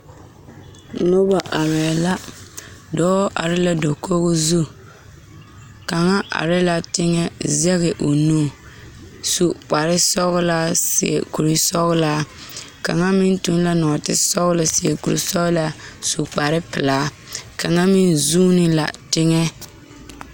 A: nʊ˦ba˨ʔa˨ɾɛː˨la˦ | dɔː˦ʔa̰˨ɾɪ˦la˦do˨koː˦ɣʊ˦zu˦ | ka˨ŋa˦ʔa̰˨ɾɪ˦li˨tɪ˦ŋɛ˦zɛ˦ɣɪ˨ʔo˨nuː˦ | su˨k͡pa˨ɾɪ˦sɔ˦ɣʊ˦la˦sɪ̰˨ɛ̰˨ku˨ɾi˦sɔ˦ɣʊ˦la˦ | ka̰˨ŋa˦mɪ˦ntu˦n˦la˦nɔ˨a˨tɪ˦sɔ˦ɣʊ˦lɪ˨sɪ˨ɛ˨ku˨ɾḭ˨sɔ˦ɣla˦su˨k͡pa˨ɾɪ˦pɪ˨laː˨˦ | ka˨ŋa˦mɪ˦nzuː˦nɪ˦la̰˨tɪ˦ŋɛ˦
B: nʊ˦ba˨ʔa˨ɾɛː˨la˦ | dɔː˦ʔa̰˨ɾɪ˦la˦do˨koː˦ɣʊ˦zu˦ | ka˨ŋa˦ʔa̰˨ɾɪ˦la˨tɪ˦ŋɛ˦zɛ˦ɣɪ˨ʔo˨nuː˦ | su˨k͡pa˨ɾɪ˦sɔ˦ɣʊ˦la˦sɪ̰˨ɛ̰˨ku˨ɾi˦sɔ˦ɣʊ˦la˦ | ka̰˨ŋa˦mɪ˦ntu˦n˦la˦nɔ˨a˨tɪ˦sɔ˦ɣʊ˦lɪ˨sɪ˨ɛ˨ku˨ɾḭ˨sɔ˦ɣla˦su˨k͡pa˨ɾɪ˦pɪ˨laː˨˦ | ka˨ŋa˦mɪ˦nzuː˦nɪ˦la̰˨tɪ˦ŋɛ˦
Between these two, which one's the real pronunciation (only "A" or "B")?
B